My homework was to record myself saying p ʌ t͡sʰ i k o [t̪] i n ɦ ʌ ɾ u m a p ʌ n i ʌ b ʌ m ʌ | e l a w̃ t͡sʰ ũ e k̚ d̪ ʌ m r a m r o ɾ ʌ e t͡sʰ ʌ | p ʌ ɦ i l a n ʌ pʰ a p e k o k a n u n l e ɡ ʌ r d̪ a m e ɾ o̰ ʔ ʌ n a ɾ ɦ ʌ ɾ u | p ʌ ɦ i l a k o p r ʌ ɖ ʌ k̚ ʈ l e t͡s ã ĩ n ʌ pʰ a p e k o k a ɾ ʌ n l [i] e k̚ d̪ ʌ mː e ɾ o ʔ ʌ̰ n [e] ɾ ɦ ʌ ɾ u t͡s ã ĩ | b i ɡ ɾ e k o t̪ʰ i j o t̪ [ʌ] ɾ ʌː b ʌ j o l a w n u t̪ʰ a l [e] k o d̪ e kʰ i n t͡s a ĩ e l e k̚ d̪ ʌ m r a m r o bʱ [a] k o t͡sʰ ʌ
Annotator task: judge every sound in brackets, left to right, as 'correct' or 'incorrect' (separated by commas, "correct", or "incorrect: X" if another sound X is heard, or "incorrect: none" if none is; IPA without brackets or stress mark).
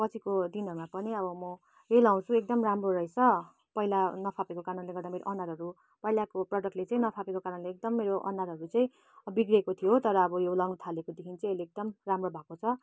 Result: incorrect: d̪, incorrect: e, incorrect: a, correct, correct, correct